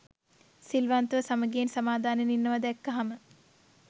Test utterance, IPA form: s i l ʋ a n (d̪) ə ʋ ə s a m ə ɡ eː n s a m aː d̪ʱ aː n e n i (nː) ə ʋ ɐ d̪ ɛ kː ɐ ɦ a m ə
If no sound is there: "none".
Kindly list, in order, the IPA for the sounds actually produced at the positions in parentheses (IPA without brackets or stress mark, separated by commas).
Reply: t̪, nː